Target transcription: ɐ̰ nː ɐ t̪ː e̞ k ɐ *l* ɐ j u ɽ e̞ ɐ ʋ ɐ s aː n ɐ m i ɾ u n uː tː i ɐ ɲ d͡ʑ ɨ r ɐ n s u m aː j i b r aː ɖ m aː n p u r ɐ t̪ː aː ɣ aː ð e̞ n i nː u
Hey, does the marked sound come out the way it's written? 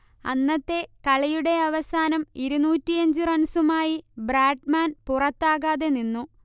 no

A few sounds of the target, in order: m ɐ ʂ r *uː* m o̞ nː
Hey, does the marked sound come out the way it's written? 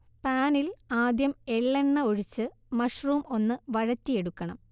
yes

